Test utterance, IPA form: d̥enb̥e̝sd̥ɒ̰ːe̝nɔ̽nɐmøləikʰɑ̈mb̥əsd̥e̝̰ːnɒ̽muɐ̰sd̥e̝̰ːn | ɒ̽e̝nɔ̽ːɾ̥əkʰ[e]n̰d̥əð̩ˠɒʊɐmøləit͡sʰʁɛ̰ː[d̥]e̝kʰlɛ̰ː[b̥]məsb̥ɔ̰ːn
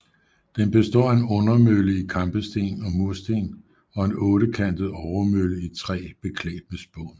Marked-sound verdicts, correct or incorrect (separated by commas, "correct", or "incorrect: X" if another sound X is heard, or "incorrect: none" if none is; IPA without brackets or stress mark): incorrect: æ, incorrect: b̥, incorrect: d̥